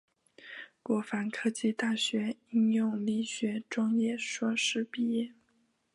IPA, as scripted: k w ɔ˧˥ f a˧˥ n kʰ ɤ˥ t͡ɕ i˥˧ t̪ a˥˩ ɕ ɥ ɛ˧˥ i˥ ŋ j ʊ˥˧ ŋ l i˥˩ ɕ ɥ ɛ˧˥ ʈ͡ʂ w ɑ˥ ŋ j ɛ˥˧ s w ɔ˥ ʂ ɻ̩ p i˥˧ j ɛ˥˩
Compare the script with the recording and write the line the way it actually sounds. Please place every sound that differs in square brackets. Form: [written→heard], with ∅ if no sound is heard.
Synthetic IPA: k w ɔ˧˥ f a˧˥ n kʰ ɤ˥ t͡ɕ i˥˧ t̪ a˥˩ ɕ ɥ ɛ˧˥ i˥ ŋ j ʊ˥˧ ŋ l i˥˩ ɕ ɥ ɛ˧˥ ʈ͡ʂ w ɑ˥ ŋ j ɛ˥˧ [s→ʂ] w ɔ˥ ʂ ɻ̩ p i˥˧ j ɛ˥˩